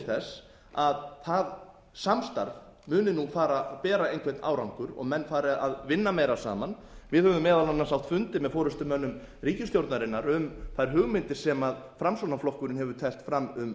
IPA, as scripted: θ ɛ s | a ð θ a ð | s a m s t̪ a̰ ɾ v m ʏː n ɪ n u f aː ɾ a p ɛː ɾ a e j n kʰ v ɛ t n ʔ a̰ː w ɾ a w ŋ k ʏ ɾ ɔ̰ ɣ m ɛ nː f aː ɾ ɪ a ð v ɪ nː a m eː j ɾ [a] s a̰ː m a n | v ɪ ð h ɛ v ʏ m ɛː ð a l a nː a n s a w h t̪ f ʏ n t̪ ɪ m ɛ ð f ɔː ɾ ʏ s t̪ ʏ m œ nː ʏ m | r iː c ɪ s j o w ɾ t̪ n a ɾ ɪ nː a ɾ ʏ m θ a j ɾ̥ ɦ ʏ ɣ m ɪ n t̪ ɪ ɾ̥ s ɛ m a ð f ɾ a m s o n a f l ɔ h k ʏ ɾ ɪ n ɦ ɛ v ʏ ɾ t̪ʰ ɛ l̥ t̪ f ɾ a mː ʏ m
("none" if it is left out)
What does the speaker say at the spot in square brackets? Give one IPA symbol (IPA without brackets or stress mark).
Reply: a